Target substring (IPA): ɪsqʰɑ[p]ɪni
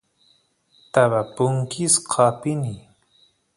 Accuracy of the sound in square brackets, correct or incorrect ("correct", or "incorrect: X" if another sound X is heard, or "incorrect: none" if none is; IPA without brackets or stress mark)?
correct